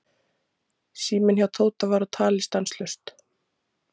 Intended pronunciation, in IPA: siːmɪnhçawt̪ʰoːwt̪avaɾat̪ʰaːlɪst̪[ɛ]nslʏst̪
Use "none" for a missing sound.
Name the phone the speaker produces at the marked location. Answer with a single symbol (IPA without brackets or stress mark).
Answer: a